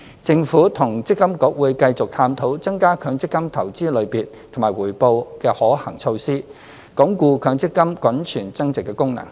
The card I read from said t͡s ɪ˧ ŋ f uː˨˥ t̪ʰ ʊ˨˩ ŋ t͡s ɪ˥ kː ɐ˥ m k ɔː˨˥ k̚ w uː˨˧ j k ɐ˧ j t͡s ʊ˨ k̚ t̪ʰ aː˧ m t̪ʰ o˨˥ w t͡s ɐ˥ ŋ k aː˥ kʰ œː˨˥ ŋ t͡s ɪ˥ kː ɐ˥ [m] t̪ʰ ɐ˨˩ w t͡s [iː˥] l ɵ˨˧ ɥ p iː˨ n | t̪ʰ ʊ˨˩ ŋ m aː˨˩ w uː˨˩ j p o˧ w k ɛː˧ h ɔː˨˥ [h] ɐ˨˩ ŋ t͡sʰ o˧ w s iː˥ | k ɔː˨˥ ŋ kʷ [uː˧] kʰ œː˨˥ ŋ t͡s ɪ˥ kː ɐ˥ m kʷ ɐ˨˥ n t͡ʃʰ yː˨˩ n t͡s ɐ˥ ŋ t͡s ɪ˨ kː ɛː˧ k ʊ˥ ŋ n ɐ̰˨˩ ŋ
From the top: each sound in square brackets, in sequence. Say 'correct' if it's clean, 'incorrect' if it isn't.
correct, correct, correct, correct

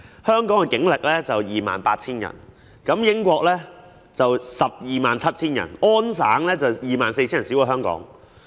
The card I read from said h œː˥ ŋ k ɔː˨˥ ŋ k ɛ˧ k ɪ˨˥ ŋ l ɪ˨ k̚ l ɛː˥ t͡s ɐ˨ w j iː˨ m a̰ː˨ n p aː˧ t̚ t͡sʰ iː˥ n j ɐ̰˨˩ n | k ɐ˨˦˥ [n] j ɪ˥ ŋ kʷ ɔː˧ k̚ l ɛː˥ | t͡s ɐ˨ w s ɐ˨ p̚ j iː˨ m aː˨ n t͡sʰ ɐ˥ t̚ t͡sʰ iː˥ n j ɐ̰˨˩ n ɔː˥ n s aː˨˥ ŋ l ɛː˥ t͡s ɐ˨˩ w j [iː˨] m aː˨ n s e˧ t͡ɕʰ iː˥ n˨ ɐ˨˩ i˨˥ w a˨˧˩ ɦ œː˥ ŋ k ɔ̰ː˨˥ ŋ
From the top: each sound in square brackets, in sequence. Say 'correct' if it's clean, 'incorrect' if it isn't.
incorrect: m, correct

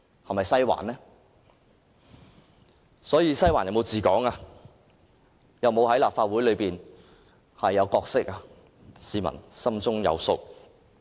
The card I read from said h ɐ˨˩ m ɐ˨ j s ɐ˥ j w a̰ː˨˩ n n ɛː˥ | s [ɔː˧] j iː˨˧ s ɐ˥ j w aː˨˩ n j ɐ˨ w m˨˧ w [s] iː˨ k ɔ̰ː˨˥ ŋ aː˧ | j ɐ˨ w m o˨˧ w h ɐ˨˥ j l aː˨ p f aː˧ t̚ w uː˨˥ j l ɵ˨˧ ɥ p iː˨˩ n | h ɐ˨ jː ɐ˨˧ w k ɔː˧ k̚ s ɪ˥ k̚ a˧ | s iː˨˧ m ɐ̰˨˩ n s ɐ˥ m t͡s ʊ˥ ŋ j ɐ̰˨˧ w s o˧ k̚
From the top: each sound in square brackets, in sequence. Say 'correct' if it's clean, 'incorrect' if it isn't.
incorrect: ɔː˨˥, incorrect: t͡s

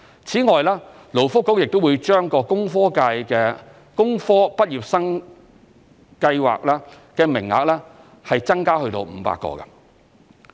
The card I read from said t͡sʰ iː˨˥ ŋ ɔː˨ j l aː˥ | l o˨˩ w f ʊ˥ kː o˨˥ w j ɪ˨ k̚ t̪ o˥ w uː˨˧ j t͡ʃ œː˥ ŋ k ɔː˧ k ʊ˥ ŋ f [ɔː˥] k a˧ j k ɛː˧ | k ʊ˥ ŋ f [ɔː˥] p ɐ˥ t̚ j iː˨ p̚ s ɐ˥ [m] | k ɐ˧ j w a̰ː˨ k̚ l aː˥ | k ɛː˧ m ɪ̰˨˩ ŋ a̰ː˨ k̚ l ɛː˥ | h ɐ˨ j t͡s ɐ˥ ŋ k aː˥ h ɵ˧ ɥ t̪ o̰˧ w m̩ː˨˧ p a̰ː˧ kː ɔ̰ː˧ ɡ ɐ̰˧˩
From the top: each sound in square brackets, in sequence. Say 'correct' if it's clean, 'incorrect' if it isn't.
correct, correct, incorrect: ŋ

